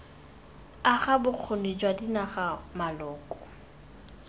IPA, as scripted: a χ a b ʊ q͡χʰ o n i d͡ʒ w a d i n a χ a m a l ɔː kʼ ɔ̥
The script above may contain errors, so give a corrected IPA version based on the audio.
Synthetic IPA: a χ a b ʊ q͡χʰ o n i d͡ʒ w a d i n a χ a m a l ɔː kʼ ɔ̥